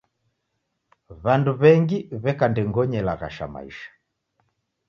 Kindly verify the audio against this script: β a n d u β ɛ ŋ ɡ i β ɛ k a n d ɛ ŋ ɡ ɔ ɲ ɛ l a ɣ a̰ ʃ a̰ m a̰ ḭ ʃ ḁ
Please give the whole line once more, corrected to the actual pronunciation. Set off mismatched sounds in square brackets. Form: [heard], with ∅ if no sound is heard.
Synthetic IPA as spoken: β a n d u β ɛ ŋ ɡ i β ɛ k a n d ɛ ŋ ɡ ɔ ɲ ɛ l a ɣ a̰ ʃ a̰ m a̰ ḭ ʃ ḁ